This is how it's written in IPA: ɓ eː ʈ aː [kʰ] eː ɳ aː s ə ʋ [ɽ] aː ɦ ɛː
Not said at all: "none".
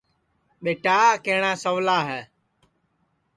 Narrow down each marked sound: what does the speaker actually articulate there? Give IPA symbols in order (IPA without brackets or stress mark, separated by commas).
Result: k, l